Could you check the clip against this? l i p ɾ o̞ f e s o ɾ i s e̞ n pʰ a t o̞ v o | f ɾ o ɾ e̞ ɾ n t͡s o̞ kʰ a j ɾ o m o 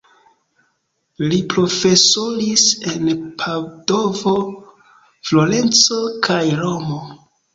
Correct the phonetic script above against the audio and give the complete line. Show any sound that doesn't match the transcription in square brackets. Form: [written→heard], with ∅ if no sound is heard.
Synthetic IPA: l i p ɾ o̞ f e s o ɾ i s e̞ n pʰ a [t→d] o̞ v o | f [ɾ→l] o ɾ e̞ [ɾ→∅] n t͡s o̞ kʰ a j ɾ o m o